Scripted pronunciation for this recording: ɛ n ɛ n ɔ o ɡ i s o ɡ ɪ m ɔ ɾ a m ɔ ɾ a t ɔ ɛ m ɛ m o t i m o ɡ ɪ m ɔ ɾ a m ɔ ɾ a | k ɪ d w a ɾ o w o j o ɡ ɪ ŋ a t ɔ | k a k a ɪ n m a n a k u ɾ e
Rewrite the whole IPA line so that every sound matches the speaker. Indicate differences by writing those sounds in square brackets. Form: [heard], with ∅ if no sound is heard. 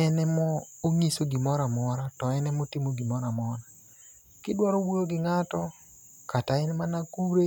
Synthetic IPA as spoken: ɛ n ɛ [m] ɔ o [ŋ] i s o ɡ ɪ m ɔ ɾ a m ɔ ɾ a t ɔ ɛ [n] ɛ m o t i m o ɡ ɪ m ɔ ɾ a m ɔ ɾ a | k ɪ d w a ɾ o w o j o ɡ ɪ ŋ a t ɔ | k a [t] a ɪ n m a n a k u ɾ e